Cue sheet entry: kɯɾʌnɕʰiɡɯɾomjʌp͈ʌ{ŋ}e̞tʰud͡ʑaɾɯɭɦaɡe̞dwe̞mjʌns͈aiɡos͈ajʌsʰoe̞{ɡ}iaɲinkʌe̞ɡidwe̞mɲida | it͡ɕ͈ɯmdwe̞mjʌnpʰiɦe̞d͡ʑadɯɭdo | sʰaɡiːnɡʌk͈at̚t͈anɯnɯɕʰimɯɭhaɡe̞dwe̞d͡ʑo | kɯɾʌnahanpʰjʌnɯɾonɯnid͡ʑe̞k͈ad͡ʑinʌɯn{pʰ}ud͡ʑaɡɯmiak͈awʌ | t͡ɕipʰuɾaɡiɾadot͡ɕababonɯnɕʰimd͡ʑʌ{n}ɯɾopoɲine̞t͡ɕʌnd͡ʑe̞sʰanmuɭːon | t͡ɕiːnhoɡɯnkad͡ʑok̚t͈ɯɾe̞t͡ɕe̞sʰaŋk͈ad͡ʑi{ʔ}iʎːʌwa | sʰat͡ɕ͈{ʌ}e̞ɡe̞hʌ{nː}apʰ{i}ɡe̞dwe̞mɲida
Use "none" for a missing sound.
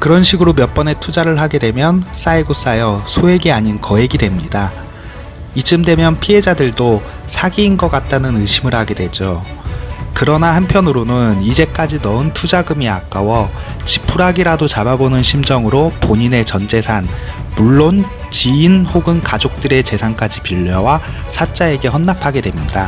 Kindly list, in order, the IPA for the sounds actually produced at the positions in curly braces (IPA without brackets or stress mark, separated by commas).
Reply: n, ɡ, tʰ, ŋ, p, a, nː, a